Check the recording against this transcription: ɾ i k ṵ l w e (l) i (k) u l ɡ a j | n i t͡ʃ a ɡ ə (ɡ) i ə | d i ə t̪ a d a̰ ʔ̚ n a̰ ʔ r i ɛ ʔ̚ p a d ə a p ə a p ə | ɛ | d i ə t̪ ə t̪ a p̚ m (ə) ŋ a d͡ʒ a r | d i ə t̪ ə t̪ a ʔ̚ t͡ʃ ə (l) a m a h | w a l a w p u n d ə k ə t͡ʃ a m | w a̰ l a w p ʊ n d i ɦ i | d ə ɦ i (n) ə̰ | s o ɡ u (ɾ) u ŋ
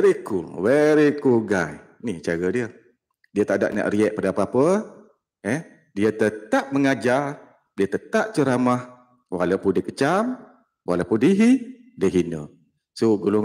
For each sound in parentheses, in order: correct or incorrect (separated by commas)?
incorrect, correct, incorrect, correct, incorrect, correct, incorrect